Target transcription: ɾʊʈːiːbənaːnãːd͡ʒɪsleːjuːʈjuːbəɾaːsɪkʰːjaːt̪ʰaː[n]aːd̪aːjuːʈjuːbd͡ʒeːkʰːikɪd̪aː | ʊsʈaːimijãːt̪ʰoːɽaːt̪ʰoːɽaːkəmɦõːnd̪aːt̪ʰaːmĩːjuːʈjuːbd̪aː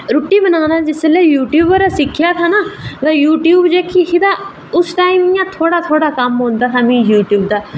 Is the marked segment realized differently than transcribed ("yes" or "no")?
no